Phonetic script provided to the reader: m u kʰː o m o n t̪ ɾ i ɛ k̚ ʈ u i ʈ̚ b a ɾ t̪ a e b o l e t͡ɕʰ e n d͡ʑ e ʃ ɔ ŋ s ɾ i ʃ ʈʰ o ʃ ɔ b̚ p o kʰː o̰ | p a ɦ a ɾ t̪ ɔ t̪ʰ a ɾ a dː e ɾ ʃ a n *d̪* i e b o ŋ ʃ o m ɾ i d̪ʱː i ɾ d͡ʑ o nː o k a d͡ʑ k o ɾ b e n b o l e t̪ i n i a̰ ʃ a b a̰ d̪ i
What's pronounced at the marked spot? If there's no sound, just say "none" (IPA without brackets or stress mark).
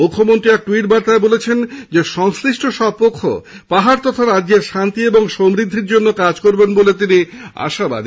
t̪